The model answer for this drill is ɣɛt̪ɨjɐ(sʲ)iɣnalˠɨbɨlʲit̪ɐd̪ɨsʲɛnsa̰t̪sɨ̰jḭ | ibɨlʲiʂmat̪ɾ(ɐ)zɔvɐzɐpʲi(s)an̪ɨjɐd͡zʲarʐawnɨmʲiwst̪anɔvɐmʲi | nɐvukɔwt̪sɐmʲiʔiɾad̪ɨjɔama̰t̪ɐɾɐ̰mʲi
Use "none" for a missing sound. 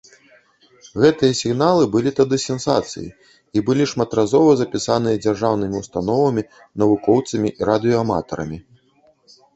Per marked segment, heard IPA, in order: sʲ, a, s

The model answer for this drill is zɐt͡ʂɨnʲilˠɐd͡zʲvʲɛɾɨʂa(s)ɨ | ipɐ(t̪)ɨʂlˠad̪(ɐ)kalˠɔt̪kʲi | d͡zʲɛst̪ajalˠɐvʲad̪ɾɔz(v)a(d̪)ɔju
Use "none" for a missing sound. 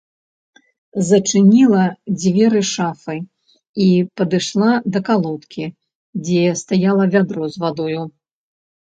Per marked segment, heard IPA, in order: f, d̪, ɐ, v, d̪

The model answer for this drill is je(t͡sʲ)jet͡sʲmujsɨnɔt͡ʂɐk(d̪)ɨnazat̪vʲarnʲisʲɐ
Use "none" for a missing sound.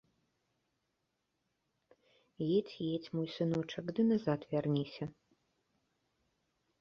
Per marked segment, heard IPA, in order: t͡sʲ, d̪

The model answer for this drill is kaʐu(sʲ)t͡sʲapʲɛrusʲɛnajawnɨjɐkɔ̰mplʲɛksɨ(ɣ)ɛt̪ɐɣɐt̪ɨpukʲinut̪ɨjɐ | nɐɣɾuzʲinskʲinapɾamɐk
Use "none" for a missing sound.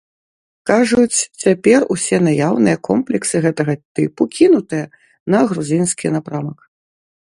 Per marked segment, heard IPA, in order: t͡sʲ, ɣ

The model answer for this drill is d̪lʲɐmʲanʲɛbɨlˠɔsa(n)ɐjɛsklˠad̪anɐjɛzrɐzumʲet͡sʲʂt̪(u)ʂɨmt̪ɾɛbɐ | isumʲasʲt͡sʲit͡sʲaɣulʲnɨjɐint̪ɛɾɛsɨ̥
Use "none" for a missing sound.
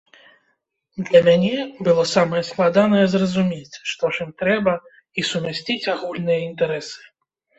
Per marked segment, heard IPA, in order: m, ɔ

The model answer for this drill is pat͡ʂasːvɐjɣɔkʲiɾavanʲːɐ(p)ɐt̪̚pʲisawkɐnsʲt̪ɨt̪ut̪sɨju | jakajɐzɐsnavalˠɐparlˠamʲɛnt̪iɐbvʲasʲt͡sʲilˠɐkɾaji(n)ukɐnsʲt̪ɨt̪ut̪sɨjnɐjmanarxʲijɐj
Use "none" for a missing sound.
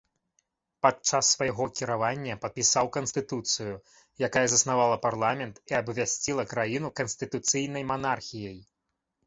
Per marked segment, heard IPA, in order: p, n

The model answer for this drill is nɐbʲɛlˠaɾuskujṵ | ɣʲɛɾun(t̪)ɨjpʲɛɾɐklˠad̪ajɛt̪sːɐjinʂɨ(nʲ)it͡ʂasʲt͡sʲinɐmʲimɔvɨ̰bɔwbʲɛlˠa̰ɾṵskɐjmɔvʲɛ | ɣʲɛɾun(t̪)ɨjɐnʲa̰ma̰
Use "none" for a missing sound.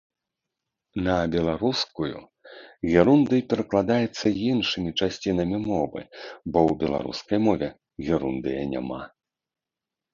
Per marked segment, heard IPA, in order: d̪, mʲ, d̪

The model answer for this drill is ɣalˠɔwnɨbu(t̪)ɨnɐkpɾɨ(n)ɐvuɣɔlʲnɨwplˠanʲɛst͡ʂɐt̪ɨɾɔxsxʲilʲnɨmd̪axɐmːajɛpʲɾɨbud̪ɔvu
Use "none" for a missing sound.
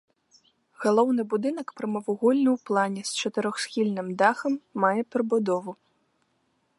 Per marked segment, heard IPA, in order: d̪, m

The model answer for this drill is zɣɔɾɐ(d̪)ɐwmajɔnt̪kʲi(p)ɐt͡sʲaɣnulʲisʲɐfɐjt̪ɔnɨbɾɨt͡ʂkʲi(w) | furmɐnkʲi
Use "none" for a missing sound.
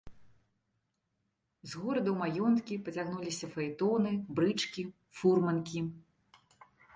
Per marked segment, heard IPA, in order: d̪, p, none

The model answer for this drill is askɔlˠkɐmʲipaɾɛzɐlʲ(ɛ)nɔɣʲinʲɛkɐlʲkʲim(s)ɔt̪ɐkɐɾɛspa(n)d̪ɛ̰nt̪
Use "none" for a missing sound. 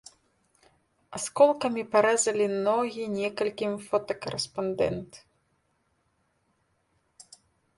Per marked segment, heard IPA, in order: i, f, n

